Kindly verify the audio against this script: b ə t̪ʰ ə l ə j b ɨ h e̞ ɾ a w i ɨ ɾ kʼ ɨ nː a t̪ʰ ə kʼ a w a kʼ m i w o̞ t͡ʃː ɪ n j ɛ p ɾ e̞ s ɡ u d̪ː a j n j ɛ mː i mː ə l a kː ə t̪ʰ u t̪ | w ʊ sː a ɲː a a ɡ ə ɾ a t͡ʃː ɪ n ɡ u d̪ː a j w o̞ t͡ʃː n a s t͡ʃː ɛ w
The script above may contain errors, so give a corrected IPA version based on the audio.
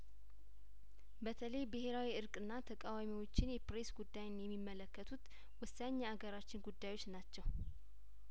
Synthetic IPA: b ə t̪ʰ ə l ə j b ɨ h e̞ ɾ a w i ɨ ɾ kʼ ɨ nː a t̪ʰ ə kʼ a w a m i w o̞ t͡ʃː ɪ n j ɛ p ɾ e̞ s ɡ u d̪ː a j n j ɛ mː i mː ə l ə kː ə t̪ʰ u t̪ | w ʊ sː a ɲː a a ɡ ə ɾ a t͡ʃː ɪ n ɡ u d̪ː a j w o̞ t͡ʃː n a t͡ʃː ɛ w

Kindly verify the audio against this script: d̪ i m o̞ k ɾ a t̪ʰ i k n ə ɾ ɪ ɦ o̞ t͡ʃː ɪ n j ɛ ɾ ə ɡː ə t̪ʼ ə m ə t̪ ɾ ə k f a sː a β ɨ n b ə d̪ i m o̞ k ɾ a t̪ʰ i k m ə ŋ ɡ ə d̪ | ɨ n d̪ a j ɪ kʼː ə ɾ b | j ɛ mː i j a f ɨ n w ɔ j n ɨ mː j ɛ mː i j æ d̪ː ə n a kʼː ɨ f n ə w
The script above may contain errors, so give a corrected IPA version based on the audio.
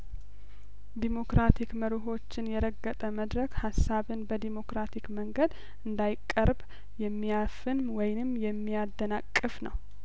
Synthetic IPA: d̪ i m o̞ k ɾ a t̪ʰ i k m ə ɾ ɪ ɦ o̞ t͡ʃː ɪ n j ɛ ɾ ə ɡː ə t̪ʼ ə m ə d̪ ɾ ə k h a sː a β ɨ n b ə d̪ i m o̞ k ɾ a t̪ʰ i k m ə ŋ ɡ ə d̪ | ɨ n d̪ a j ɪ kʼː ə ɾ b | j ɛ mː i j a f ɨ n w ɔ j n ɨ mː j ɛ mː i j a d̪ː ə n a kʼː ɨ f n ə w

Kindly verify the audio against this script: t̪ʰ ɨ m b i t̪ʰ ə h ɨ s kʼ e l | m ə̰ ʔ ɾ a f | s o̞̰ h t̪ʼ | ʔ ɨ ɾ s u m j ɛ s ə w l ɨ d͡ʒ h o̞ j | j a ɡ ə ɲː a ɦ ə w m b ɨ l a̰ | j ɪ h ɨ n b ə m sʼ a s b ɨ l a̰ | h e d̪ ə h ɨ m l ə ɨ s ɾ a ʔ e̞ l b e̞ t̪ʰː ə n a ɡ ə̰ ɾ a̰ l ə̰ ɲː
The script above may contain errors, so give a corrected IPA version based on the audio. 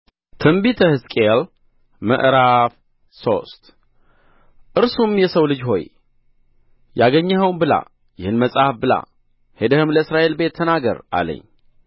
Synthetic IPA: t̪ʰ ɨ m b i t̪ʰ ə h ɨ s kʼ e l | m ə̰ ʔ ɾ a f | s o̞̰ s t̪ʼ | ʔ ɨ ɾ s u m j ɛ s ə w l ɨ d͡ʒ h o̞ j | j a ɡ ə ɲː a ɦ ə w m b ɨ l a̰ | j ɪ h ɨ n m ə sʼ a f b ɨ l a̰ | h e d̪ ə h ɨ m l ə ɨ s ɾ a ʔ e̞ l b e̞ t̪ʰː ə n a ɡ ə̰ ɾ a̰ l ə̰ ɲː

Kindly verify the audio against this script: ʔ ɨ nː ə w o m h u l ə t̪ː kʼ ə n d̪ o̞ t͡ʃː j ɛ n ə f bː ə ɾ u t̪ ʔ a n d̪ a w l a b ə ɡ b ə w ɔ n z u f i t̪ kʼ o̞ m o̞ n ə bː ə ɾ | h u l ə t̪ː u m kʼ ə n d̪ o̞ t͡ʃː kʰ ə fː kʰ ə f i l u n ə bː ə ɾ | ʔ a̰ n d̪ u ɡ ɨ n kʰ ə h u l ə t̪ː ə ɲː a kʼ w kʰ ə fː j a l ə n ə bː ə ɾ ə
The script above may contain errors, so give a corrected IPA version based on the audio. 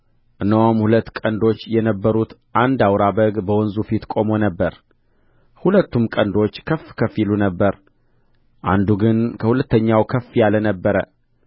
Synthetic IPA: ʔ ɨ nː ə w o m h u l ə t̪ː kʼ ə n d̪ o̞ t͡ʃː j ɛ n ə bː ə ɾ u t̪ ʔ a n d̪ a w ɾ a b ə ɡ b ə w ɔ n z u f i t̪ kʼ o̞ m o̞ n ə bː ə ɾ | h u l ə t̪ː u m kʼ ə n d̪ o̞ t͡ʃː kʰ ə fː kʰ ə f i l u n ə bː ə ɾ | ʔ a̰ n d̪ u ɡ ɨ n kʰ ə h u l ə t̪ː ə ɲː a w kʰ ə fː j a l ə n ə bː ə ɾ ə

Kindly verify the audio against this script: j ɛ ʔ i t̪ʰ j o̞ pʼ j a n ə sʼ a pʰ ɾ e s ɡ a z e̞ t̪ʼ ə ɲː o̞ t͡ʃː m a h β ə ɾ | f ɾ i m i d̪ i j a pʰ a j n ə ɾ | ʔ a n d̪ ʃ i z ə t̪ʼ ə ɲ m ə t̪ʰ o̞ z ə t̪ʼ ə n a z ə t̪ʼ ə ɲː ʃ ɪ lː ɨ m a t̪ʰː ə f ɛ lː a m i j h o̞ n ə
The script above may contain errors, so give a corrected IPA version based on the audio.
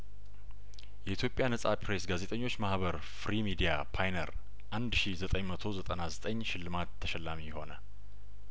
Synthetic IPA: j ɛ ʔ i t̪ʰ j o̞ pʼ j a n ə sʼ a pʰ ɾ e s ɡ a z e̞ t̪ʼ ə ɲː o̞ t͡ʃː m a h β ə ɾ | f ɾ i m i d̪ i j a pʰ a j n ə ɾ | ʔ a n d̪ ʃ i z ə t̪ʼ ə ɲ m ə t̪ʰ o̞ z ə t̪ʼ ə n a z ə t̪ʼ ə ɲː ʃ ɪ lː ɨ m a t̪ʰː ə ʃ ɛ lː a m i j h o̞ n ə

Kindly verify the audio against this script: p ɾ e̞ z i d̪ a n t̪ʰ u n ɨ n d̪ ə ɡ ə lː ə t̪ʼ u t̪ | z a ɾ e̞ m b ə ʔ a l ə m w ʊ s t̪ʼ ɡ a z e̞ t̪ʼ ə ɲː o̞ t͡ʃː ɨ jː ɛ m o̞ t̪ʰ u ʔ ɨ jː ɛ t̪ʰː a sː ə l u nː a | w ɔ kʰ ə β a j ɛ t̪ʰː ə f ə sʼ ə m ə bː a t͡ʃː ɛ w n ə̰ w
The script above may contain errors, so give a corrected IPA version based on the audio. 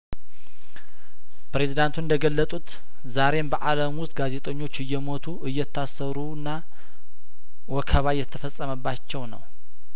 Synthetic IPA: p ɾ e̞ z i d̪ a n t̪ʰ u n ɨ n d̪ ə ɡ ə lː ə t̪ʼ u t̪ | z a ɾ e̞ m b ə ʔ a l ə m w ʊ s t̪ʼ ɡ a z e̞ t̪ʼ ə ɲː o̞ t͡ʃː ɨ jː ɛ m o̞ t̪ʰ u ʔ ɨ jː ɛ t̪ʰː a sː ə ɾ u nː a | w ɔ kʰ ə β a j ɛ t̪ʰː ə f ə sʼ ə m ə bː a t͡ʃː ɛ w n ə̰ w

